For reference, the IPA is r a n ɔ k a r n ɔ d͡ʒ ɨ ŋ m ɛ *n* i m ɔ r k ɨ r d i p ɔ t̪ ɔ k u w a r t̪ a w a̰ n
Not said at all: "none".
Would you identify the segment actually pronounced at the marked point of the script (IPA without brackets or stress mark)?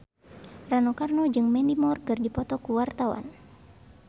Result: n